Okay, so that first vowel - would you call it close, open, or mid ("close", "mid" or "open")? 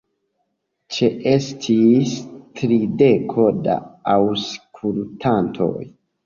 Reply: mid